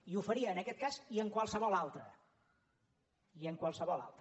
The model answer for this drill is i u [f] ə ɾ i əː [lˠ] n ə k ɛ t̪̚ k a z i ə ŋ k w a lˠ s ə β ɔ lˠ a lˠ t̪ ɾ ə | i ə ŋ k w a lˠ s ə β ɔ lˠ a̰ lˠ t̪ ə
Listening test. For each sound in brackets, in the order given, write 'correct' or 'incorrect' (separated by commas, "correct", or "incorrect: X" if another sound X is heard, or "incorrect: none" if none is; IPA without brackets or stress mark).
correct, incorrect: none